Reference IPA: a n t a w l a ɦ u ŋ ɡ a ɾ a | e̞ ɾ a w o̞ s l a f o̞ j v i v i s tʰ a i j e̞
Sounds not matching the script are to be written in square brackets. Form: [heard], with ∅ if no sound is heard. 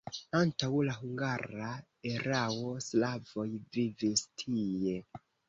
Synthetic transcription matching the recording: a n t a w l a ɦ u ŋ ɡ a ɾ a | e̞ ɾ a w o̞ s l a [v] o̞ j v i v i s tʰ [i] i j e̞